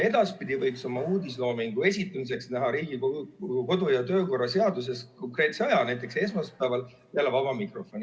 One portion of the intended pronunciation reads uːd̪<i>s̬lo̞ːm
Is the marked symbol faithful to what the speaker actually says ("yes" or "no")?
yes